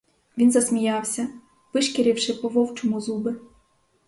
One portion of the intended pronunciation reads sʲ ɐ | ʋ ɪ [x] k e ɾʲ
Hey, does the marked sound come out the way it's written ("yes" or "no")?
no